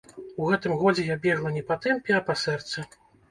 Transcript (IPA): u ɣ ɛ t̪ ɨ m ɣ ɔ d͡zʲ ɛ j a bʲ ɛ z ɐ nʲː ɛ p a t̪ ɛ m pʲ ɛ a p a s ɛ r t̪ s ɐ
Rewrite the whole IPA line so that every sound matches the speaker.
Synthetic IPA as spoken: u ɣ ɛ t̪ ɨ m ɣ ɔ d͡zʲ ɛ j a bʲ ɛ ʐ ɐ nʲ ɛ p a t̪ ɛ m pʲ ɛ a p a s ɛ r t̪ s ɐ